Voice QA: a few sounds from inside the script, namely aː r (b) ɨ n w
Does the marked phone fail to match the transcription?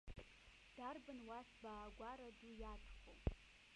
no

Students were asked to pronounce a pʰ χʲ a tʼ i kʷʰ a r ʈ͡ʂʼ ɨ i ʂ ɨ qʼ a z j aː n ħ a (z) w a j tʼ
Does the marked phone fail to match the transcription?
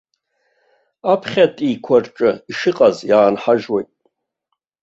yes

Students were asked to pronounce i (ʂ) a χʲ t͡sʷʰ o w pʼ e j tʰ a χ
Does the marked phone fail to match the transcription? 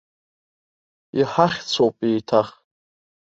yes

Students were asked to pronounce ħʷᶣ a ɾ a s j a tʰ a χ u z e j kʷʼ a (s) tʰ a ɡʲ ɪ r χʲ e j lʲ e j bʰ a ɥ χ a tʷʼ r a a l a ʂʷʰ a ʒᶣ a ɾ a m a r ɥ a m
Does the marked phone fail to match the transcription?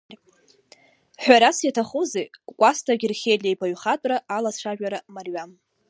no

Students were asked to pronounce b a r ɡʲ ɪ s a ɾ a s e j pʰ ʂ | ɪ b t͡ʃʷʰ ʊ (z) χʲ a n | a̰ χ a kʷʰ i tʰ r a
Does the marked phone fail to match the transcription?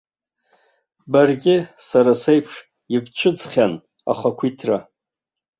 yes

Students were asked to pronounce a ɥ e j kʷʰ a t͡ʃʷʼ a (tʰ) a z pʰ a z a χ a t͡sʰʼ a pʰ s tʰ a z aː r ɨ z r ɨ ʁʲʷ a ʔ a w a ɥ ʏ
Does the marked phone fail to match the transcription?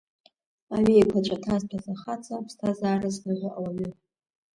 no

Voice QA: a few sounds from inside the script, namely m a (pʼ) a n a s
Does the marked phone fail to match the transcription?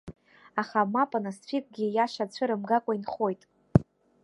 no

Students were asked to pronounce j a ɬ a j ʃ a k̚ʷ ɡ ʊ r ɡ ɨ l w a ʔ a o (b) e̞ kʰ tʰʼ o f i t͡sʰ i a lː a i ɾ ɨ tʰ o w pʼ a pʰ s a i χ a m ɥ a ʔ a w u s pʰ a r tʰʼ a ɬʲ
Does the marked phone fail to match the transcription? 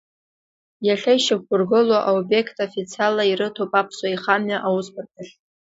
no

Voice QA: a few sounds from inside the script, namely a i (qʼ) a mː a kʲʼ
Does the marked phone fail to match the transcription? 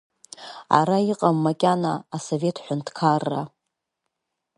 no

